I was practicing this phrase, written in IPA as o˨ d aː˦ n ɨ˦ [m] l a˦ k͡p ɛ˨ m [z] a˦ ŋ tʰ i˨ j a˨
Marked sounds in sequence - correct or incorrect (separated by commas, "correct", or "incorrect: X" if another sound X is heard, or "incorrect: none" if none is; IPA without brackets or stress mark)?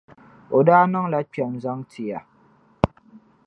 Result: incorrect: ŋ, correct